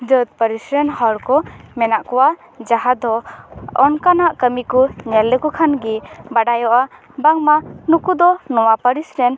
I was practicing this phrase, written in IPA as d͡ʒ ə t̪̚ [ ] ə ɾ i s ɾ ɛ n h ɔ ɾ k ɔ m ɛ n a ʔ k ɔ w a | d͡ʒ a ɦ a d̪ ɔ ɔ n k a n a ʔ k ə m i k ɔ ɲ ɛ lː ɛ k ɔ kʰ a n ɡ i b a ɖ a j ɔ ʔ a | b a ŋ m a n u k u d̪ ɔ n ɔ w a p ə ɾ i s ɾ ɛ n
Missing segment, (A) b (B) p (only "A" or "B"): B